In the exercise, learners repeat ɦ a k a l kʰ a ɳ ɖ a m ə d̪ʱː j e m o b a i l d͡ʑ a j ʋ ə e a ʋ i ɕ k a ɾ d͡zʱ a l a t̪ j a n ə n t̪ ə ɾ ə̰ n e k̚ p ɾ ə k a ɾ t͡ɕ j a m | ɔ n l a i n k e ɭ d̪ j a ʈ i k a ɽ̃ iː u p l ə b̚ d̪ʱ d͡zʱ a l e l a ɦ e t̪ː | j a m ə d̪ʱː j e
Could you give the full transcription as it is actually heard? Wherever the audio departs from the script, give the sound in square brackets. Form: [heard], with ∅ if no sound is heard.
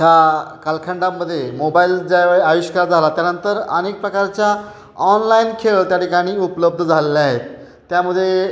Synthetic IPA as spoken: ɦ a k a l kʰ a ɳ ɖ a m ə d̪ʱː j e m o b a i l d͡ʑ a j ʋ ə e a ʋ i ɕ k a ɾ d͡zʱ a l a t̪ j a n ə n t̪ ə ɾ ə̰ n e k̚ p ɾ ə k a ɾ t͡ɕ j a [∅] | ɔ n l a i n [kʰ] e ɭ [t̪] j a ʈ i k a ɽ̃ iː u p l ə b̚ d̪ʱ d͡zʱ a l e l a ɦ e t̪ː | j a m ə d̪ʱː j e